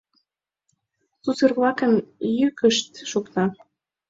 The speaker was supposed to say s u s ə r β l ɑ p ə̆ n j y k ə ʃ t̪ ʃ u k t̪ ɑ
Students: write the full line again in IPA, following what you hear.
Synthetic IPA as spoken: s u s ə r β l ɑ k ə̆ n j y k ə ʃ t̪ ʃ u k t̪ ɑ